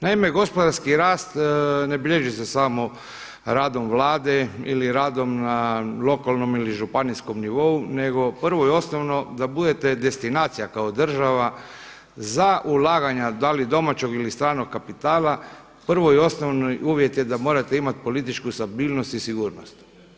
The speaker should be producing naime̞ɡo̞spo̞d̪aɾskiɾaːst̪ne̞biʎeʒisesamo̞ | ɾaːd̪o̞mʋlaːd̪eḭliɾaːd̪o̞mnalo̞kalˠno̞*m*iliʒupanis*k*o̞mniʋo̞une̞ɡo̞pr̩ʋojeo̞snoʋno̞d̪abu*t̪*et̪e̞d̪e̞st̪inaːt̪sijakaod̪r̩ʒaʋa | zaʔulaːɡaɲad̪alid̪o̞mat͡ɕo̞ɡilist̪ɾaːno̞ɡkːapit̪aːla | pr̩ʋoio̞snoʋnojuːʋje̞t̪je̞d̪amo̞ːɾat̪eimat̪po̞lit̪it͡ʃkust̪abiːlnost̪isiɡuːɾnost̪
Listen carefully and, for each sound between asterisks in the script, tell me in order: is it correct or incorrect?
correct, correct, incorrect: d̪

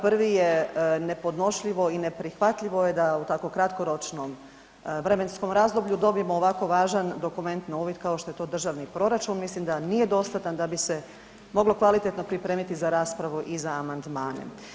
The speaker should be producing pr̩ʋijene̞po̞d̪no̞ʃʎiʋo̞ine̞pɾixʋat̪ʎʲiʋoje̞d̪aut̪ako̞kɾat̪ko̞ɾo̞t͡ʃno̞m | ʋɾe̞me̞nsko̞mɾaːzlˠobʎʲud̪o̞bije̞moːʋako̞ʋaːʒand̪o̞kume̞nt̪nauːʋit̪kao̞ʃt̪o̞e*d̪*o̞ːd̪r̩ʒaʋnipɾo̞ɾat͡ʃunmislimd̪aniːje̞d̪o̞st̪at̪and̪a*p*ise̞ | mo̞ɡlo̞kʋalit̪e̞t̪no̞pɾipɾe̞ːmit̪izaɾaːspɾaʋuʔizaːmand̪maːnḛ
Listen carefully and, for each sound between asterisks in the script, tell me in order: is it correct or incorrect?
incorrect: t̪, incorrect: b

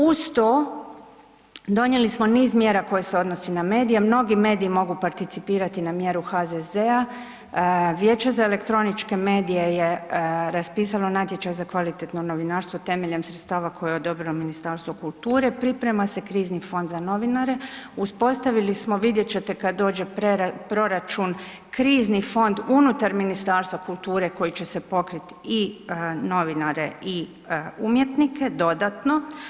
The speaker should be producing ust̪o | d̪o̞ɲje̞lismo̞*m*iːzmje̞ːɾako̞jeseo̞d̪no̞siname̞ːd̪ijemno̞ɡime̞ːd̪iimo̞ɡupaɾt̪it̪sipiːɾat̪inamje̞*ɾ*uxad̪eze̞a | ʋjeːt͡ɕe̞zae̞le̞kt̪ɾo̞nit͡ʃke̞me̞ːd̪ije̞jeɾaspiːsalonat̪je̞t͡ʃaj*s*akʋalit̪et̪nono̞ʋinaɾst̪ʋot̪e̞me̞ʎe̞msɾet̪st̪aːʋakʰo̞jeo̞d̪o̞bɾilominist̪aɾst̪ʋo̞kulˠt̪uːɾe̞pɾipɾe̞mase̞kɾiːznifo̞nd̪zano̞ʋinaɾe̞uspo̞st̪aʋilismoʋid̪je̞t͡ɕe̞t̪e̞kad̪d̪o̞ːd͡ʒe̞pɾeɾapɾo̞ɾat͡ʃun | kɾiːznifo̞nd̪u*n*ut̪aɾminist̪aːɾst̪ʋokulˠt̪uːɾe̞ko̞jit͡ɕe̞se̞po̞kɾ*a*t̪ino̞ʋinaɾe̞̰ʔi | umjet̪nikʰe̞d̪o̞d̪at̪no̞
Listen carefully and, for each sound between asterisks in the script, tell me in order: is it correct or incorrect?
incorrect: n, correct, incorrect: z, correct, incorrect: i

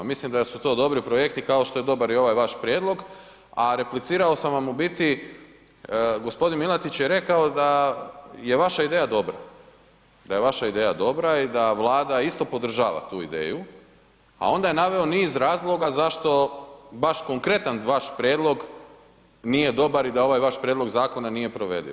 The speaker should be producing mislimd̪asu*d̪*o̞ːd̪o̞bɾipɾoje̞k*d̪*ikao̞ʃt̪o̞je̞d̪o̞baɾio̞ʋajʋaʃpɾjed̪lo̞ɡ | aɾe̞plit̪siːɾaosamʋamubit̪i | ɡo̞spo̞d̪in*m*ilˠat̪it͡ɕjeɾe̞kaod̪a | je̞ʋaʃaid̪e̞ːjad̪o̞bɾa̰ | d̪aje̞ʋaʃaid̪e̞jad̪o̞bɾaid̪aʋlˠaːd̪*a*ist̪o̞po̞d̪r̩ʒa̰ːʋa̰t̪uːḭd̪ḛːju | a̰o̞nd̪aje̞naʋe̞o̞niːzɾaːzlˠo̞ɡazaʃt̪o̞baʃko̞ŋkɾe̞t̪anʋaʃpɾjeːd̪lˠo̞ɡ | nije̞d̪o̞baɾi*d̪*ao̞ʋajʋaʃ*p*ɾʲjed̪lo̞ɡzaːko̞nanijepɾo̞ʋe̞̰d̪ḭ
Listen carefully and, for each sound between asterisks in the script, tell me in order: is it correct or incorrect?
incorrect: t̪, incorrect: t̪, correct, correct, correct, correct

